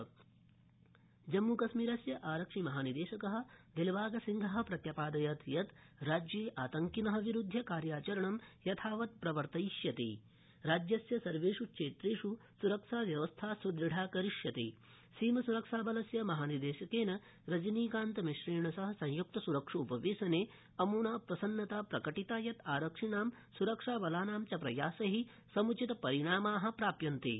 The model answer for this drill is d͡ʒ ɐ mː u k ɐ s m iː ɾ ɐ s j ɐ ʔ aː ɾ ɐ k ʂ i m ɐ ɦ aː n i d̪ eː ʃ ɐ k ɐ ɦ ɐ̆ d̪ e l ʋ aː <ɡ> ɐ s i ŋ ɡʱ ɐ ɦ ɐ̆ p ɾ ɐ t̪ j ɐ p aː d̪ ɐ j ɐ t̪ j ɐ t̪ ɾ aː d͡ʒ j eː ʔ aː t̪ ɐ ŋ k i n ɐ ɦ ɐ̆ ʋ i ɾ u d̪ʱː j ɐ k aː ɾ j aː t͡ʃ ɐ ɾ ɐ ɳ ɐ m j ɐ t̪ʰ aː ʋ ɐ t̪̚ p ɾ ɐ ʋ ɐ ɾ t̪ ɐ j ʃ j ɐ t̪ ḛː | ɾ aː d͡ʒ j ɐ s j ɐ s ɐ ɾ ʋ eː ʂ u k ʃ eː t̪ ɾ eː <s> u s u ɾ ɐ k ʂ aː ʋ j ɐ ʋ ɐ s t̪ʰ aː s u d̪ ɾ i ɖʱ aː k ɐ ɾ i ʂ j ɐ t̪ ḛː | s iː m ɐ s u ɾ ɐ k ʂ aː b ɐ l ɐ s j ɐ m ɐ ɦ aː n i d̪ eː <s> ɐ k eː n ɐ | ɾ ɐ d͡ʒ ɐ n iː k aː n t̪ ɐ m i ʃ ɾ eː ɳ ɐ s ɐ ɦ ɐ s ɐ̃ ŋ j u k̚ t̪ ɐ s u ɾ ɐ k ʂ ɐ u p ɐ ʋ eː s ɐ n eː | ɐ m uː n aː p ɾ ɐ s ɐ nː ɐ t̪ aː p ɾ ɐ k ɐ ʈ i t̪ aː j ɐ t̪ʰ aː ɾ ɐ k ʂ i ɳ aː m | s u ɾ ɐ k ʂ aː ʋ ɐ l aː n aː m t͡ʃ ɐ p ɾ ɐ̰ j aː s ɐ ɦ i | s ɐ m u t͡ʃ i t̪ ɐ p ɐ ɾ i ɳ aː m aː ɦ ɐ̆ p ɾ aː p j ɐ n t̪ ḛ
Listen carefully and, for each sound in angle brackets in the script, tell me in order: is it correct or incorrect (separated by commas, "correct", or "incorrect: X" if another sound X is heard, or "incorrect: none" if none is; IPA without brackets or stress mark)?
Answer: correct, incorrect: ʂ, incorrect: ʃ